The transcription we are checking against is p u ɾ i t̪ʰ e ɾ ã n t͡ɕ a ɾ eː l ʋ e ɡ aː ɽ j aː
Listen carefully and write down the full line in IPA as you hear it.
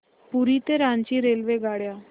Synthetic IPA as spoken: p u ɾ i t̪ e ɾ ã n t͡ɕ i ɾ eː l ʋ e ɡ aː ɽ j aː